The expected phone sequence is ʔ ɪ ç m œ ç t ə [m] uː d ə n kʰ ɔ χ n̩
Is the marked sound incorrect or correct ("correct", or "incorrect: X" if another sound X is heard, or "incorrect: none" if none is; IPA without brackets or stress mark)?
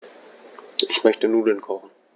incorrect: n